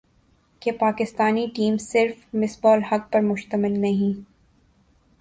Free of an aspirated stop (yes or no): yes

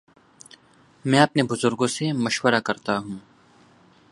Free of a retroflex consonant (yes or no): yes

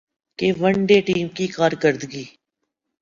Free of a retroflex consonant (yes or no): no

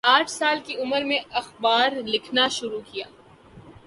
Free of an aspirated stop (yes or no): no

